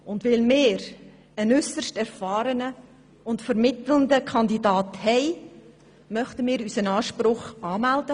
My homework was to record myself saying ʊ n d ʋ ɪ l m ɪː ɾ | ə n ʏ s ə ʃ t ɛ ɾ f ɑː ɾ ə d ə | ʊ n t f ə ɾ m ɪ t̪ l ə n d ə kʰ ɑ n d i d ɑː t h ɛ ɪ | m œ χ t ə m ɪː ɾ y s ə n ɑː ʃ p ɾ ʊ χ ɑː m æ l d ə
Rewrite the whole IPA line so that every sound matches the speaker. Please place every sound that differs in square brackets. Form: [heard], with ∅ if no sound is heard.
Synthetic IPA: ʊ n d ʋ ɪ l m ɪː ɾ | ə n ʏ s ə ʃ t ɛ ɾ f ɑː ɾ ə [n] ə | ʊ n t f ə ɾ m ɪ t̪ l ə n d ə kʰ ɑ n d i d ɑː t h ɛ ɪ | m œ χ t ə m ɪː ɾ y s ə n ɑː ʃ p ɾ ʊ χ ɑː m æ l d ə